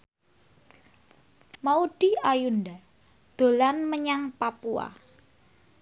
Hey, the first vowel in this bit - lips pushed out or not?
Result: no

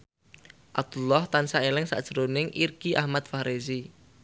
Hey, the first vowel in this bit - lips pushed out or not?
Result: no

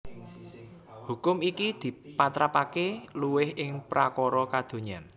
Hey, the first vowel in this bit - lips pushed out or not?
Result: yes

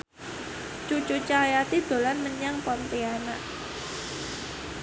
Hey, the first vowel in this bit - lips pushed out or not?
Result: yes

